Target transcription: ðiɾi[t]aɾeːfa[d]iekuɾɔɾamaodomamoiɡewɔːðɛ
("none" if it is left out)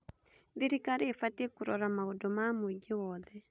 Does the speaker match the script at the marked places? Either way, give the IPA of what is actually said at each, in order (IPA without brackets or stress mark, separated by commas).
k, t